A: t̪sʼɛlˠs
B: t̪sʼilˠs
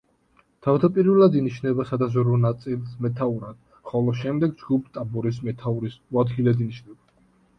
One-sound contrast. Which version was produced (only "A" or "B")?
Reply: B